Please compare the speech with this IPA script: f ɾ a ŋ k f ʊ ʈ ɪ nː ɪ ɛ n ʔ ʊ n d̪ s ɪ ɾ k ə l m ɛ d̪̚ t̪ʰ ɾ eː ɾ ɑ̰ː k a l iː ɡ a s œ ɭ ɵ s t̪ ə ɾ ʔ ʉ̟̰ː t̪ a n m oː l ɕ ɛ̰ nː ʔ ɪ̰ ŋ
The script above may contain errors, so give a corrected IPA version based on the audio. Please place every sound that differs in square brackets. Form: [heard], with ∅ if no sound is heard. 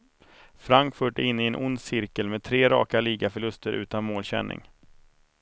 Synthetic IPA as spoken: f ɾ a ŋ k f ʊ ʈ ɪ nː ɪ ɛ n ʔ ʊ n d̪ s ɪ ɾ k ə l m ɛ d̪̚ t̪ʰ ɾ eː ɾ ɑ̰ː k a l iː ɡ a [f] œ ɭ ɵ s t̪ ə ɾ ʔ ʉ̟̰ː t̪ a n m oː l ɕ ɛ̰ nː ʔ ɪ̰ ŋ